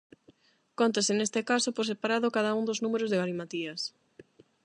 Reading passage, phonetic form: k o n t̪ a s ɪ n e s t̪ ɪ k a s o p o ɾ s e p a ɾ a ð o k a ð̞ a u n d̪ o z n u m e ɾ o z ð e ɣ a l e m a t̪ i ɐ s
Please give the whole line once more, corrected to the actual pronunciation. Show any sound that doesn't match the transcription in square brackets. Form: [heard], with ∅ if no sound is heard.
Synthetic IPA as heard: k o n t̪ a s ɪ n e s t̪ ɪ k a s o p o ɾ s e p a ɾ a ð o k a ð̞ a u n d̪ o z n u m e ɾ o z ð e ɣ a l [i] m a t̪ i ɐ s